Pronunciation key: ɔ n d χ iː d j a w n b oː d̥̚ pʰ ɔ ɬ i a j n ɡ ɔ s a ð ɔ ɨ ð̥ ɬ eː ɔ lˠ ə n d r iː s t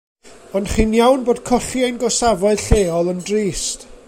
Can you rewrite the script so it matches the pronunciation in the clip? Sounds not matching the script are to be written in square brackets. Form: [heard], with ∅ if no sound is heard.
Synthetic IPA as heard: ɔ n d χ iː [n] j a w n b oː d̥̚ [kʰ] ɔ ɬ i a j n ɡ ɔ s a [v] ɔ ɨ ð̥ ɬ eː ɔ lˠ ə n d r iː s t